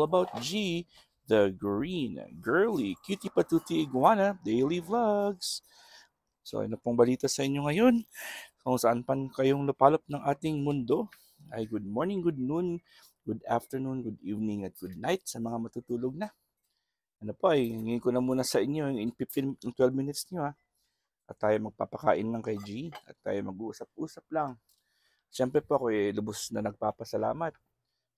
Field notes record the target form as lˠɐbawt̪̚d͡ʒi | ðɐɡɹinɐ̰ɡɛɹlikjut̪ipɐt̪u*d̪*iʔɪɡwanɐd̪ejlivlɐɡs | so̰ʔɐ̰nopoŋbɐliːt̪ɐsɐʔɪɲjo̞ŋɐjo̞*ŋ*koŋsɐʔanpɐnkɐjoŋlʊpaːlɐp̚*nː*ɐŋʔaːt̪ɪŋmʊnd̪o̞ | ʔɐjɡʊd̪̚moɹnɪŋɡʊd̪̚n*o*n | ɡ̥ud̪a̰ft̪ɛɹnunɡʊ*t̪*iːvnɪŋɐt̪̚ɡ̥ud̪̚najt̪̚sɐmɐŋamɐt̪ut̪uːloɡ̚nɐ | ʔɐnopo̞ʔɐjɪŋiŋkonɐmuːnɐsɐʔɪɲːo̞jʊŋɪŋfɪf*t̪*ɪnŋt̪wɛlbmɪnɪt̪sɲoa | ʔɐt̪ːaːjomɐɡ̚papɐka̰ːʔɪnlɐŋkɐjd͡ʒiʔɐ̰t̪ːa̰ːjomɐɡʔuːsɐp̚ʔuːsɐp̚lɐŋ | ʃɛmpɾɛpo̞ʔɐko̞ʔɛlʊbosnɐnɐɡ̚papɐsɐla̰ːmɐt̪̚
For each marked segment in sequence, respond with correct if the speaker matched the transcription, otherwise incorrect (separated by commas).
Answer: incorrect, incorrect, incorrect, incorrect, incorrect, correct